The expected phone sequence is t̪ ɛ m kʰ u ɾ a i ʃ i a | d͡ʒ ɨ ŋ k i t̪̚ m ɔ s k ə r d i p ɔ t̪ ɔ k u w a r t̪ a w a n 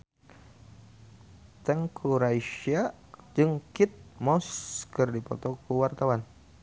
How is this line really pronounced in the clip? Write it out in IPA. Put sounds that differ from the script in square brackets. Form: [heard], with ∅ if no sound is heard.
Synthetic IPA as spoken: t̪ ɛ [ŋ] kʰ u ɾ a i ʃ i a | d͡ʒ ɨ ŋ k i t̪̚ m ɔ s k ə r d i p ɔ t̪ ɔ k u w a r t̪ a w a n